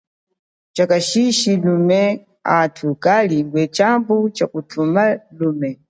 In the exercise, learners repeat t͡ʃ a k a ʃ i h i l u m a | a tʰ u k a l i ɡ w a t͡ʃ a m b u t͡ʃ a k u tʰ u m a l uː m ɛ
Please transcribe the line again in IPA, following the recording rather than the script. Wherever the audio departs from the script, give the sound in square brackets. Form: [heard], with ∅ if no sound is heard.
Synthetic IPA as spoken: t͡ʃ a k a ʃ i [ʃ] i l u m [ɛ] | a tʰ u k a l i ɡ w [ɛ] t͡ʃ a m b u t͡ʃ a k u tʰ u m a l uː m ɛ